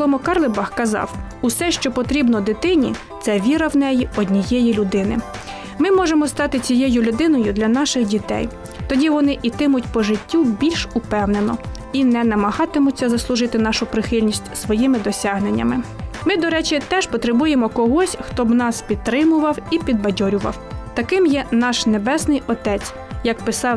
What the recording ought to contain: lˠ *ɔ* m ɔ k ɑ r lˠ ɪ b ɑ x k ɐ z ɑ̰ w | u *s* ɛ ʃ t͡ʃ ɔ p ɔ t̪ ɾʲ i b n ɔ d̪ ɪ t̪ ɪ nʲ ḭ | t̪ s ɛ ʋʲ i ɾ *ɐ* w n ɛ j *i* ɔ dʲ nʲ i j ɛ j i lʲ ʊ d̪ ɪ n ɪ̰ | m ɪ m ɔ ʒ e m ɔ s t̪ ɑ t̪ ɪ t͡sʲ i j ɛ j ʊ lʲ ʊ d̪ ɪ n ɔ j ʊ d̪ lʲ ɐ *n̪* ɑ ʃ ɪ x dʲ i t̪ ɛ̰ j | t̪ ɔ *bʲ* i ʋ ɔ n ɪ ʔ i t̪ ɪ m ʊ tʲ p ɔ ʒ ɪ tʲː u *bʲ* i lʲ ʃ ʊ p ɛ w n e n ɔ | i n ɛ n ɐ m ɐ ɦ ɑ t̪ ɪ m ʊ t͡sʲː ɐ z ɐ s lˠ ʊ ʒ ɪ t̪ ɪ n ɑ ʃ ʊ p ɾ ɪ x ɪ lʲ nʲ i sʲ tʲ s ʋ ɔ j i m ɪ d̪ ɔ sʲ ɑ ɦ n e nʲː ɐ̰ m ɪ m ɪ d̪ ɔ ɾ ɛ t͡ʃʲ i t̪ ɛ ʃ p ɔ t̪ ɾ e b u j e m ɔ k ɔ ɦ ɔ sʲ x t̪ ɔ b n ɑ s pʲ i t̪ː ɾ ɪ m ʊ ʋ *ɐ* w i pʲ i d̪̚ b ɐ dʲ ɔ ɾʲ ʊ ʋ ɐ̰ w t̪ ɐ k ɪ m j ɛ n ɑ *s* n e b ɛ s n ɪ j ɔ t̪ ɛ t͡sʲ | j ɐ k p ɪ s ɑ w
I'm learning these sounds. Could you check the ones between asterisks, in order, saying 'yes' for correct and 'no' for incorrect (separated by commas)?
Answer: yes, yes, yes, yes, yes, no, yes, yes, no